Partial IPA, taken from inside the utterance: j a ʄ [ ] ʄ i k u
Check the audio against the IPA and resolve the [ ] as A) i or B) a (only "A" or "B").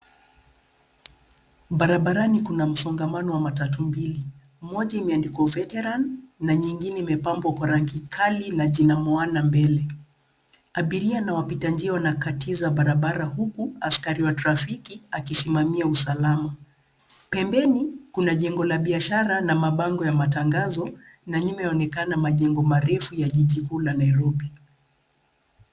A